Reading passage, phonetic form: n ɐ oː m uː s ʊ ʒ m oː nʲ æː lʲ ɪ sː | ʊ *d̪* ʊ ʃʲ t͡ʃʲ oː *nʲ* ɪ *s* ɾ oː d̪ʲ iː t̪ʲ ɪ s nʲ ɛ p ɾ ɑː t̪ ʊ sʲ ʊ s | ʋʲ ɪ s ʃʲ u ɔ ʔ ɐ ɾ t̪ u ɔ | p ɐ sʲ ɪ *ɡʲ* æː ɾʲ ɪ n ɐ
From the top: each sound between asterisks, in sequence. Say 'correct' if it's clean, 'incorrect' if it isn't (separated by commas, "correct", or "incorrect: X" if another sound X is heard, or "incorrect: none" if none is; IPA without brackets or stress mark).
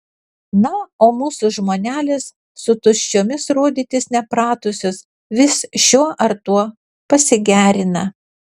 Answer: incorrect: t̪, incorrect: mʲ, correct, correct